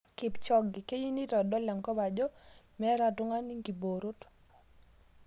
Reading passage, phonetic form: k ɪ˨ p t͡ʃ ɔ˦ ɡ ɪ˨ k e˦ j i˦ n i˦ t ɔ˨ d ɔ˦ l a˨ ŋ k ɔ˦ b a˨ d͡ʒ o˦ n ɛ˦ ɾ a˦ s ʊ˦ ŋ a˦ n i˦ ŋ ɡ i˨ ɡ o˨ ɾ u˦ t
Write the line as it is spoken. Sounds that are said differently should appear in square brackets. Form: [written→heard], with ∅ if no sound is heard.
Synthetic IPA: k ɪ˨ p t͡ʃ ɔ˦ ɡ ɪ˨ k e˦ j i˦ n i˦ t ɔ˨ d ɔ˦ l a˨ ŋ k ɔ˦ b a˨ d͡ʒ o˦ [n→m] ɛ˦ ɾ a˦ [s→t] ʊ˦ ŋ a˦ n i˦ ŋ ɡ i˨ [ɡ→b] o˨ ɾ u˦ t